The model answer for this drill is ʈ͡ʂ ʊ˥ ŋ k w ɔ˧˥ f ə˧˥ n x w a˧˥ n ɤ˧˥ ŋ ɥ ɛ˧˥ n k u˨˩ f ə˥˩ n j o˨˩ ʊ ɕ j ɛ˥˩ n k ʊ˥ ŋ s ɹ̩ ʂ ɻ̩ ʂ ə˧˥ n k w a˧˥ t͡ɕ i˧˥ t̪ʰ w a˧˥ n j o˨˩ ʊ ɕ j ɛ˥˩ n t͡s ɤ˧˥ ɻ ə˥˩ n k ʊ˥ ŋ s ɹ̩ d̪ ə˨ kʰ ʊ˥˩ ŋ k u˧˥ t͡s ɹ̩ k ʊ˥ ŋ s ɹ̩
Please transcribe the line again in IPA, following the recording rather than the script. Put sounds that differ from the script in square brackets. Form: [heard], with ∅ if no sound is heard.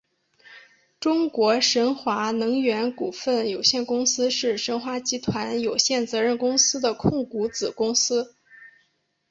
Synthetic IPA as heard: ʈ͡ʂ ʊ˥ ŋ k w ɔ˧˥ [ʂ] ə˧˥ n x w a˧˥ n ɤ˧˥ ŋ ɥ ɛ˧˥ n k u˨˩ f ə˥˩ n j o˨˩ ʊ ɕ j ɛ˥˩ n k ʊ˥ ŋ s ɹ̩ ʂ ɻ̩ ʂ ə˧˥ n [x] w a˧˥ t͡ɕ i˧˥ t̪ʰ w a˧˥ n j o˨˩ ʊ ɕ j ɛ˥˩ n t͡s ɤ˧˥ ɻ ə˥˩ n k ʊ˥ ŋ s ɹ̩ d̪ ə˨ kʰ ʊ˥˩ ŋ k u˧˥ t͡s ɹ̩ k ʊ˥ ŋ s ɹ̩